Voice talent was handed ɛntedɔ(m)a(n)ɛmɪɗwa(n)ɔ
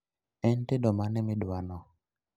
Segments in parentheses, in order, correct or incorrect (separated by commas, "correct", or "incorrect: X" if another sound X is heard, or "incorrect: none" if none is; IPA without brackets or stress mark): correct, correct, correct